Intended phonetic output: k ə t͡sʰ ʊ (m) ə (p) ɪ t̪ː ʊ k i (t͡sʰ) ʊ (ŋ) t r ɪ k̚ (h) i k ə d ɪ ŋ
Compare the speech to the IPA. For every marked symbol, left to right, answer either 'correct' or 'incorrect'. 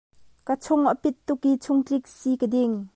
incorrect: ŋ, correct, correct, correct, incorrect: s

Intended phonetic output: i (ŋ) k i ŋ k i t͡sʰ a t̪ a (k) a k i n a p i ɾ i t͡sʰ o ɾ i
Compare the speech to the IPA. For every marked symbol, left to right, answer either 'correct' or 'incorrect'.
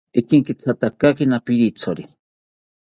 incorrect: none, correct

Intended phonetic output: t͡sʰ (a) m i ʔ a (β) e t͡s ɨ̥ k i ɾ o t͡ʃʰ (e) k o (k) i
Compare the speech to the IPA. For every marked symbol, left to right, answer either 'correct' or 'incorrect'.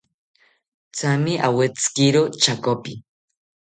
correct, incorrect: w, incorrect: a, incorrect: p

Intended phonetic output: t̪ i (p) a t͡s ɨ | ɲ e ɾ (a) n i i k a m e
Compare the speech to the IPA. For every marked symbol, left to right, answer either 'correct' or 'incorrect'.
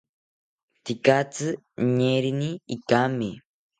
incorrect: k, incorrect: i

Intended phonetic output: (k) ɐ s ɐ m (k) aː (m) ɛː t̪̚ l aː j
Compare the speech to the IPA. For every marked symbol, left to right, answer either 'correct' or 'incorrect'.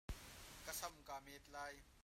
correct, correct, correct

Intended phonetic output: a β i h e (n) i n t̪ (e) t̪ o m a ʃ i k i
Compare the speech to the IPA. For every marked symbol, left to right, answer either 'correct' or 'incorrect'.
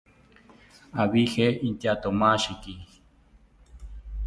incorrect: none, incorrect: a

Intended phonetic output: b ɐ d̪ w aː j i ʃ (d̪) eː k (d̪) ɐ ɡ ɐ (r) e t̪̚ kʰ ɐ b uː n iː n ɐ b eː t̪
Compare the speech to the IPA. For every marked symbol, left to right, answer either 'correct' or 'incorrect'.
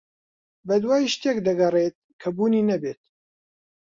incorrect: t̪, correct, correct

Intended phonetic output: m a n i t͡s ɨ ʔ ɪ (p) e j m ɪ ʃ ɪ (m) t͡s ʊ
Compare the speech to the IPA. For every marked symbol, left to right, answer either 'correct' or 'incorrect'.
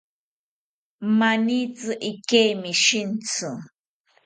incorrect: k, incorrect: n

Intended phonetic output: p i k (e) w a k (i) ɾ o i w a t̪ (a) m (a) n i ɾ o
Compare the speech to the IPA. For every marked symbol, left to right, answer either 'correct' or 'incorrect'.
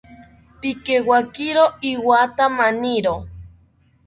correct, correct, correct, correct

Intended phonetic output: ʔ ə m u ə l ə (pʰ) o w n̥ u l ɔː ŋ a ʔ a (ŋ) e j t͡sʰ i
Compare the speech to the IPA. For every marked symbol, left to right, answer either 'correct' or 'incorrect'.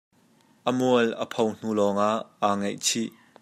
correct, correct

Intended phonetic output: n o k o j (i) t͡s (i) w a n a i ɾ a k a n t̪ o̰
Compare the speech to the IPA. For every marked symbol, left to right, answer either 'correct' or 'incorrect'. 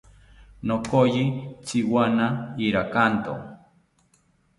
correct, correct

